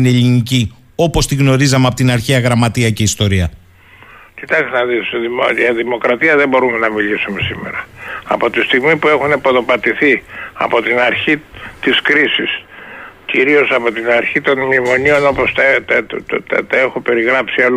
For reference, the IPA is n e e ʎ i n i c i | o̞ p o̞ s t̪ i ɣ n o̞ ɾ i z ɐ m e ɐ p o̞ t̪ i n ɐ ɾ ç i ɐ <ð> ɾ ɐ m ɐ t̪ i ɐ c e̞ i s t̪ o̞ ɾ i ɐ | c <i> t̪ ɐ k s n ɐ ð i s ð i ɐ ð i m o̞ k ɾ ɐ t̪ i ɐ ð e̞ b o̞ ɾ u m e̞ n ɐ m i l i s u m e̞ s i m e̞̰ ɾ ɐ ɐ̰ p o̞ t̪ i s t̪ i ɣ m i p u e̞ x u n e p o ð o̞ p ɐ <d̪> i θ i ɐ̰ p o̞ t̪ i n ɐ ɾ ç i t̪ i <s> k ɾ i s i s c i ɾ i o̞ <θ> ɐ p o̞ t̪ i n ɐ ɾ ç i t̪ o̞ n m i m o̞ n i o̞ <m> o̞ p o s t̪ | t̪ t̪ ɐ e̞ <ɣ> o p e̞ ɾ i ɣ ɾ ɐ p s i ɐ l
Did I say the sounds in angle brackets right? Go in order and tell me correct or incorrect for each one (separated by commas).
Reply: incorrect, correct, incorrect, correct, incorrect, incorrect, incorrect